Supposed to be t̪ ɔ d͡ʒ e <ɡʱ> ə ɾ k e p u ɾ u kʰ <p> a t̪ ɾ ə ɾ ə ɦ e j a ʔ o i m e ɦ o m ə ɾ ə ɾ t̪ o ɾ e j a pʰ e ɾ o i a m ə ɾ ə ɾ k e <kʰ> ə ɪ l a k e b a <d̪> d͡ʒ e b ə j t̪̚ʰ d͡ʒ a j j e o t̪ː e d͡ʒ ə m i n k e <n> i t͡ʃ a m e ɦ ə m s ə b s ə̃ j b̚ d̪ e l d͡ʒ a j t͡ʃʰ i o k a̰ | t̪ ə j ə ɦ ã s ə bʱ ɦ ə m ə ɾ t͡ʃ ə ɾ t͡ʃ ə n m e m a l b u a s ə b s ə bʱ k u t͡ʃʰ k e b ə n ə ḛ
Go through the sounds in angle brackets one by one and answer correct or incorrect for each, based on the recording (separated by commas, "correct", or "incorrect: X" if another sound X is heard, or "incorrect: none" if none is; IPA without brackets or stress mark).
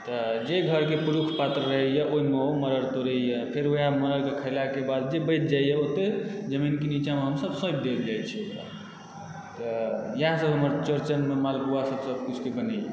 correct, correct, correct, correct, correct